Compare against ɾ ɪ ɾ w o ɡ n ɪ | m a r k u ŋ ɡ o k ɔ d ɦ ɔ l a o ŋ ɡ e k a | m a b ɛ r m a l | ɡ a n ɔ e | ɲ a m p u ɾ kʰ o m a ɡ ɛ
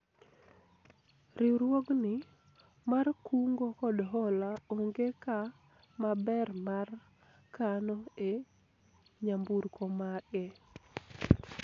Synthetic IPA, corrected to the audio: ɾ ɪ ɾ w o ɡ n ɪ | m a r k u ŋ ɡ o k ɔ d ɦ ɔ l a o ŋ ɡ e k a | m a b ɛ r m a r | k a n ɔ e | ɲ a m b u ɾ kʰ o m a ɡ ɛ